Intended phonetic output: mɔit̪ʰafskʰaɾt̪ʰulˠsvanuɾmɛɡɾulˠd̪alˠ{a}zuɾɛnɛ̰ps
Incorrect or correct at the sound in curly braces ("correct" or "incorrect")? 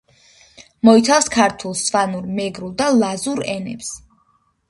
correct